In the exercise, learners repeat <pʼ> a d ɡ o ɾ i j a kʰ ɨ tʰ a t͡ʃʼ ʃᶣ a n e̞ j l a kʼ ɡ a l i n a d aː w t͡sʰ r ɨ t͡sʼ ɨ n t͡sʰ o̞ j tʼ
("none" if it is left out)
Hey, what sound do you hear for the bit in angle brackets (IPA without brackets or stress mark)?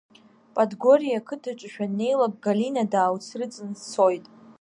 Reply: pʼ